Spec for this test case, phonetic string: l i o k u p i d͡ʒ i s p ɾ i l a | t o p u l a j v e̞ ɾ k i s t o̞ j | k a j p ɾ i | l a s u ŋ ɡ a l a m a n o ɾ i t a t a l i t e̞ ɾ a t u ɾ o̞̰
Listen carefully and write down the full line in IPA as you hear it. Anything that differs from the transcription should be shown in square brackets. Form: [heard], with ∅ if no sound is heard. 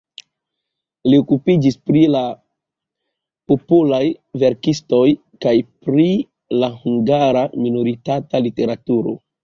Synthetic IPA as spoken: l i o k u p i d͡ʒ i s p ɾ i l a | [p] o p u l a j v e̞ ɾ k i s t o̞ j | k a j p ɾ i | l a [h] u ŋ ɡ a [ɾ] a m [i] n o ɾ i t a t a l i t e̞ ɾ a t u ɾ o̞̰